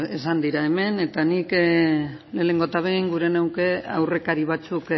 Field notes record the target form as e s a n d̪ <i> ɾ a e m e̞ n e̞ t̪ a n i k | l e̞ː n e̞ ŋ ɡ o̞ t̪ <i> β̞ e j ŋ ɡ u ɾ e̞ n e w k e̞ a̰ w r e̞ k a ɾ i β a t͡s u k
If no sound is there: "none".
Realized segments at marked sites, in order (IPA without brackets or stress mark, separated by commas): i, a